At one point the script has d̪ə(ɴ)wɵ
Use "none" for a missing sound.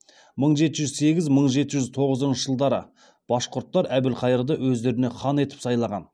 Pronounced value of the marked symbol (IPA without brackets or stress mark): none